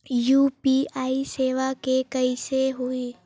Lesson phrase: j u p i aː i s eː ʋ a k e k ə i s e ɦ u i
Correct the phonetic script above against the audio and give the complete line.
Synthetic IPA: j u p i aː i s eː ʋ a k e k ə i s e ɦ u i